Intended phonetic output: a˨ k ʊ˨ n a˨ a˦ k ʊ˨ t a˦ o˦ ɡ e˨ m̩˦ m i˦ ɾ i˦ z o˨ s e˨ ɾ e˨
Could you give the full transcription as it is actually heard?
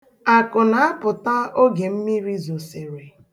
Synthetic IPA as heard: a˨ k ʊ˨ n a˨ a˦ p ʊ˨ t a˦ o˦ ɡ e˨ m̩˦ m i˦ ɾ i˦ z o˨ s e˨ ɾ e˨